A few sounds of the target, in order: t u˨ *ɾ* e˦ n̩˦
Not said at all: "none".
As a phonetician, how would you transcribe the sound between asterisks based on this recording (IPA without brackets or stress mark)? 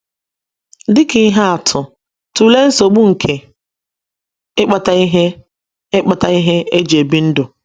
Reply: l